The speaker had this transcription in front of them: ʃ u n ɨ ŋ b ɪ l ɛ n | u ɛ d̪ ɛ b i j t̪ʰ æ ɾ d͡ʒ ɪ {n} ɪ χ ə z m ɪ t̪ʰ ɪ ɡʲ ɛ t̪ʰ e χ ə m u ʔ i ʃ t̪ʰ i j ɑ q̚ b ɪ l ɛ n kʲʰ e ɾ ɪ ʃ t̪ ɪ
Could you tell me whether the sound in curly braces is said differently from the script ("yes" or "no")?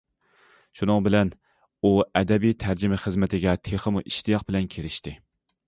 yes